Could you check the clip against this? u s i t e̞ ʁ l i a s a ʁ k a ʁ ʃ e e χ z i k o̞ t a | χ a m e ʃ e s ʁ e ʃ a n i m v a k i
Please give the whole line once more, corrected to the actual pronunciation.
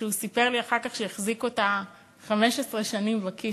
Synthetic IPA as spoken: u s i p e̞ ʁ l i a χ a ʁ k a χ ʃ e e χ z i k o̞ t a | χ a m e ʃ e s ʁ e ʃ a n i m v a k i